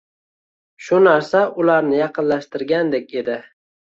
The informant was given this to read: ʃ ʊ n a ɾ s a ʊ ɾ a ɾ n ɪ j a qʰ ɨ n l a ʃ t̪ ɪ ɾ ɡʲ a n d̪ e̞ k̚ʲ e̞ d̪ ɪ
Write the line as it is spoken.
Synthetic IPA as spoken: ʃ ʊ n a ɾ s a ʊ l a ɾ n ɪ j ɑ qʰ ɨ n l a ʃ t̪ ɪ ɾ ɡʲ a n d̪ e̞ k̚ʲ e̞ d̪ ɪ